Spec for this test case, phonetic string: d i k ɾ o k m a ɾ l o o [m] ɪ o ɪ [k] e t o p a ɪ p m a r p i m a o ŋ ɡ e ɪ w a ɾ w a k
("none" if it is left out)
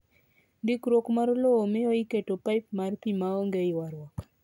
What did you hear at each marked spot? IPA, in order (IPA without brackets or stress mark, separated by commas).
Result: m, k